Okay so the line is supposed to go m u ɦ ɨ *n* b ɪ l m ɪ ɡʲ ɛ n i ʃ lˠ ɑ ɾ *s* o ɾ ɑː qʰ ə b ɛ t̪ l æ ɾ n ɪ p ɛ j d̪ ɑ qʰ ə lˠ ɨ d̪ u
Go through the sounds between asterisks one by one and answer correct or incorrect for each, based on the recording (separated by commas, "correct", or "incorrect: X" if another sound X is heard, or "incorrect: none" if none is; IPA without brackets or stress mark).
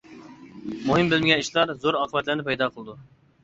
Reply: incorrect: m, incorrect: z